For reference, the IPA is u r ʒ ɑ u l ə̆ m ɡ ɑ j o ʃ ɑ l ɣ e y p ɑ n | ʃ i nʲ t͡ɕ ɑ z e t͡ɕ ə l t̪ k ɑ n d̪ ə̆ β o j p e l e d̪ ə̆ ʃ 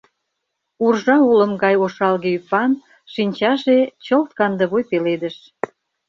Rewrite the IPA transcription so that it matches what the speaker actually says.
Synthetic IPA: u r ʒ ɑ u l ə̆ m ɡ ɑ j o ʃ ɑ l ɣ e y p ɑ n | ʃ i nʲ t͡ɕ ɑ ʒ e t͡ɕ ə l t̪ k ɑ n d̪ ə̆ β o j p e l e d̪ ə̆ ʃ